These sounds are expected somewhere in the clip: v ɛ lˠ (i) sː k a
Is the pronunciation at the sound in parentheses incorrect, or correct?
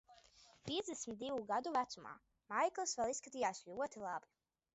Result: correct